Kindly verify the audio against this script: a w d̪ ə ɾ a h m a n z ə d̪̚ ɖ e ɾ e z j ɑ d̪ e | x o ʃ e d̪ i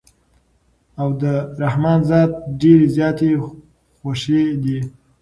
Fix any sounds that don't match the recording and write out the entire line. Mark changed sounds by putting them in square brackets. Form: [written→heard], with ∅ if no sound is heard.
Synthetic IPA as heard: a w d̪ ə ɾ a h m [a→ɑ] n z [ə→ɑ] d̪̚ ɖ e ɾ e z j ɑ [d̪→t̪] e | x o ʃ e d̪ i